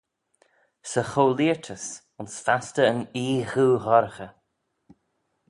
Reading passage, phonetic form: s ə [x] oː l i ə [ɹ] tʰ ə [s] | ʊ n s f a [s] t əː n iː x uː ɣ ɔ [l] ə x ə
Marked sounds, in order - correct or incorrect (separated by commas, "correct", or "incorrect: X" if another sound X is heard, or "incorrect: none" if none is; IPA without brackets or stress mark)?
correct, correct, correct, correct, incorrect: ɾ